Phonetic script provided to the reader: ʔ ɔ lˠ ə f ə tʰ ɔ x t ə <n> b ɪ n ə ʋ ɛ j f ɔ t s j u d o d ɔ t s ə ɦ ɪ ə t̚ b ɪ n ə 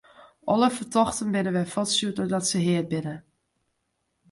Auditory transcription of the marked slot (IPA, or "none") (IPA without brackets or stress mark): n